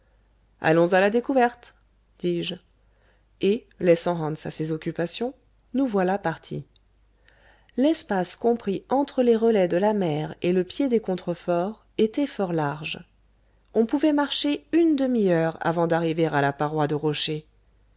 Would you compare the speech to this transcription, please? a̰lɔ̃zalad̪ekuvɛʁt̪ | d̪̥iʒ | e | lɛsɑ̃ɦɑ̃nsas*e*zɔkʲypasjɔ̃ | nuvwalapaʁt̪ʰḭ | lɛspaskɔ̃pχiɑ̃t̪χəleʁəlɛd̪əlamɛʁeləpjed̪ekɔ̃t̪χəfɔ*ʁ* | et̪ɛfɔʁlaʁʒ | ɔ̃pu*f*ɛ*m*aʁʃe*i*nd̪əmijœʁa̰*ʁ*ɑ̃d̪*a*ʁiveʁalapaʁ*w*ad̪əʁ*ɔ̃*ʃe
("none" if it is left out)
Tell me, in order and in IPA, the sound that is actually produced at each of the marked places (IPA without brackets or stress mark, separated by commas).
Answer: e, ʁ, v, m, y, v, a, w, ɔ